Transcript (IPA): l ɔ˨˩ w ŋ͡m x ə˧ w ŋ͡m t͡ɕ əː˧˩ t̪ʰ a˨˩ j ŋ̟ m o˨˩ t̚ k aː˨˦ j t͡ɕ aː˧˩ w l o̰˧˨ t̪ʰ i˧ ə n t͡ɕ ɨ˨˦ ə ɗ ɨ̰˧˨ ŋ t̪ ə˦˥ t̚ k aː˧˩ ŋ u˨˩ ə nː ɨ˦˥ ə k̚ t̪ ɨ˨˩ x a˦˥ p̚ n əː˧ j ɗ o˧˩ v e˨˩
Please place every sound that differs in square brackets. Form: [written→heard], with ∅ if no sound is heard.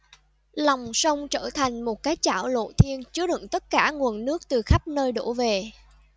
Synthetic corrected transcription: l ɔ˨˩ w ŋ͡m [x→s] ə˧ w ŋ͡m t͡ɕ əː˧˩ t̪ʰ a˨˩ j ŋ̟ m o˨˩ t̚ k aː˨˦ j t͡ɕ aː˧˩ w l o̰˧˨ t̪ʰ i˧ ə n t͡ɕ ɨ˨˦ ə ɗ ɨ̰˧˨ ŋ t̪ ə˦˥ t̚ k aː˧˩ ŋ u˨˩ ə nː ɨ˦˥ ə k̚ t̪ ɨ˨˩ x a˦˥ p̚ n əː˧ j ɗ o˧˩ v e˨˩

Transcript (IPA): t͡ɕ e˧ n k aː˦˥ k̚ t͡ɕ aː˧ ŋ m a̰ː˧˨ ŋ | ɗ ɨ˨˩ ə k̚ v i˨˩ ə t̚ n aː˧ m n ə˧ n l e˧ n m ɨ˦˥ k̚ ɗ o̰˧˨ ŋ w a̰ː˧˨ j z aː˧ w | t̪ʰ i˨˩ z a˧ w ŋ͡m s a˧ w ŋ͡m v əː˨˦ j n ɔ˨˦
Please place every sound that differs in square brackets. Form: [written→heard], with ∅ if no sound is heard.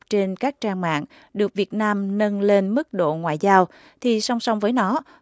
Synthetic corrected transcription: t͡ɕ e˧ n k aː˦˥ k̚ t͡ɕ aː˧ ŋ m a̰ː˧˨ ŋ | ɗ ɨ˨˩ ə k̚ v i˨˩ ə t̚ n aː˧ m n ə˧ n l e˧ n m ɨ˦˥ k̚ ɗ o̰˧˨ ŋ w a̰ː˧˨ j z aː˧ w | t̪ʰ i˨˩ [z→s] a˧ w ŋ͡m s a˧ w ŋ͡m v əː˨˦ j n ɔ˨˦

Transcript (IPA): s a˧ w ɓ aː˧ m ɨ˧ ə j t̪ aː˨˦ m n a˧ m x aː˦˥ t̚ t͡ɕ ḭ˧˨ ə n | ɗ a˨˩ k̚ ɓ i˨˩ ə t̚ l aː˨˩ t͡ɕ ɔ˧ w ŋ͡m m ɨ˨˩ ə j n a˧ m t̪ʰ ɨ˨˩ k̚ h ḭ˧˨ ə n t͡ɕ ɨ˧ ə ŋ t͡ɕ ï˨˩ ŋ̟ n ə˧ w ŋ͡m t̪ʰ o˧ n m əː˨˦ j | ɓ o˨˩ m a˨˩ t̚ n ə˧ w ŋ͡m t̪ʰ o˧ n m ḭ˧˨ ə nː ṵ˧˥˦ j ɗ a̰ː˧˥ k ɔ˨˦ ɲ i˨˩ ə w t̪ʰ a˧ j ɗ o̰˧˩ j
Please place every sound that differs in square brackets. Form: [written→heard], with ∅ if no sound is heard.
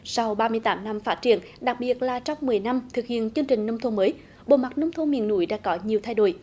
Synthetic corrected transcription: s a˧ w ɓ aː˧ m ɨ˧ ə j t̪ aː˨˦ m n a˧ m [x→f] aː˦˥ t̚ t͡ɕ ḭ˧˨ ə n | ɗ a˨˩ k̚ ɓ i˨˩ ə t̚ l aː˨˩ t͡ɕ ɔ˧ w ŋ͡m m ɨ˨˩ ə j n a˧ m t̪ʰ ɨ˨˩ k̚ h ḭ˧˨ ə n t͡ɕ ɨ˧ ə ŋ t͡ɕ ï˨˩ ŋ̟ n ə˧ w ŋ͡m t̪ʰ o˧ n m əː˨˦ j | ɓ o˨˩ m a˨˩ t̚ n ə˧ w ŋ͡m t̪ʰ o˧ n m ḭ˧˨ ə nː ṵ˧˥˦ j ɗ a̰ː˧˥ k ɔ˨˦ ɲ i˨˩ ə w t̪ʰ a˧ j ɗ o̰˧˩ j

